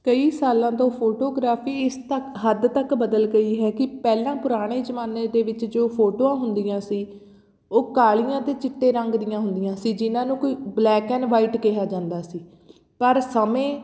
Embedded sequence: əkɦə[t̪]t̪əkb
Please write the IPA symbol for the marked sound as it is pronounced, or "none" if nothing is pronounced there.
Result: d̪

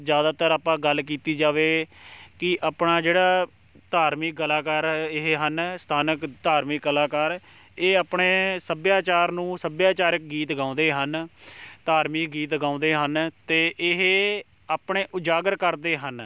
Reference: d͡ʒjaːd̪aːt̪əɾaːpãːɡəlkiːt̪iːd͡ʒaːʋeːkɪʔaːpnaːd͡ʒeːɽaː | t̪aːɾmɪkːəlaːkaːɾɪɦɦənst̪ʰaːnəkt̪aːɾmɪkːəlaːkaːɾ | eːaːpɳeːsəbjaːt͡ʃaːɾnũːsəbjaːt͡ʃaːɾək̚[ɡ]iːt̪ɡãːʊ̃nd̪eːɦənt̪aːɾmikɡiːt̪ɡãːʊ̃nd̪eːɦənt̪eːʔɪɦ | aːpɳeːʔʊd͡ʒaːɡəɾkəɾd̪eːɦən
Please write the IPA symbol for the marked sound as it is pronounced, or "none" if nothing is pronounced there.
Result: ɡ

